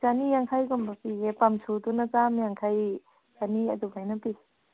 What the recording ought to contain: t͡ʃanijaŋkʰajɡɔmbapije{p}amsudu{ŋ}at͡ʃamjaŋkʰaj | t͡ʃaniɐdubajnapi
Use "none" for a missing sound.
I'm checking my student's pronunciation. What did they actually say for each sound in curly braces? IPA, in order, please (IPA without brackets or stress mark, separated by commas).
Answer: p, n